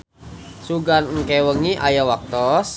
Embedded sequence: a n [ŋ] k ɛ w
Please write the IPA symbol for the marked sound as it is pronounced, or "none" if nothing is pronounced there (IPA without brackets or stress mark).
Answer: ŋ